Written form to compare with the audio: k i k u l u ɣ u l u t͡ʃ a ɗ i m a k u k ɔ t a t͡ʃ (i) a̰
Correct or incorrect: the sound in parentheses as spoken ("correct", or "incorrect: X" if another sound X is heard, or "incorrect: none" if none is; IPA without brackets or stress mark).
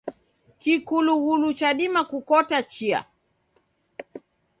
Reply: correct